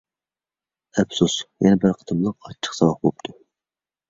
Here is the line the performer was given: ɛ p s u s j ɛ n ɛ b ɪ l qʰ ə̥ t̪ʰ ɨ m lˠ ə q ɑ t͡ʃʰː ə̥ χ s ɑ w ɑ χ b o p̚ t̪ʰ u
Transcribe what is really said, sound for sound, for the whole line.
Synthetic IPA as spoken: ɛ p s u s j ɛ n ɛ b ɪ ɾ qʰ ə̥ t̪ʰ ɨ m lˠ ə q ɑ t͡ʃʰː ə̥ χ s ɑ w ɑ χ b o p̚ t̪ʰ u